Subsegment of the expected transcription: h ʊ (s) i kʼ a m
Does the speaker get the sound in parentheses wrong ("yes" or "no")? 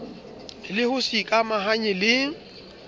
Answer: no